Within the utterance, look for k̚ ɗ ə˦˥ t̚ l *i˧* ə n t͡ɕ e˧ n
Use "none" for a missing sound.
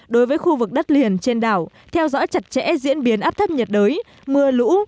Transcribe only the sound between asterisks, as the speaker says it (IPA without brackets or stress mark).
i˨˩